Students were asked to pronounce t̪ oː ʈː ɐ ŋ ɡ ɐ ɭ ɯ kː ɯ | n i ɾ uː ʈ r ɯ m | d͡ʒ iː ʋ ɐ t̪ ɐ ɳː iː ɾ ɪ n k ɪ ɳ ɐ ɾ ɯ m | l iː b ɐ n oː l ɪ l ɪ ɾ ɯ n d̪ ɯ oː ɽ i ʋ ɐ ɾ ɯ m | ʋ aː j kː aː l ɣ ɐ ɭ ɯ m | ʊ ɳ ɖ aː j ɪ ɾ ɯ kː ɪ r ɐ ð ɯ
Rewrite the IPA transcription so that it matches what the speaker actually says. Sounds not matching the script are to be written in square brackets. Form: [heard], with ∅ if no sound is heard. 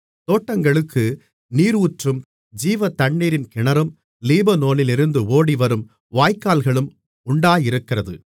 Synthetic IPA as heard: t̪ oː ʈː ɐ ŋ ɡ ɐ ɭ ɯ kː ɯ | n [iː] ɾ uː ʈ r ɯ m | d͡ʒ iː ʋ ɐ t̪ ɐ ɳː iː ɾ ɪ n k ɪ ɳ ɐ ɾ ɯ m | l iː b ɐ n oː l ɪ l ɪ ɾ ɯ n d̪ ɯ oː ɽ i ʋ ɐ ɾ ɯ m | ʋ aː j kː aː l ɣ ɐ ɭ ɯ m | ʊ ɳ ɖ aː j ɪ ɾ ɯ kː ɪ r ɐ ð ɯ